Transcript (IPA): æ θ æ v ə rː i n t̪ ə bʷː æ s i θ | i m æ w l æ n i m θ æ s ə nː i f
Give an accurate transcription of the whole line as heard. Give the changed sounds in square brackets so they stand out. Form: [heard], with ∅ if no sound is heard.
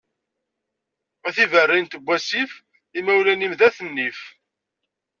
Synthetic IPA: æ θ [i] v ə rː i n t̪ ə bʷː æ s i [f] | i m æ w l æ n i m [ð] æ [θ] ə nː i f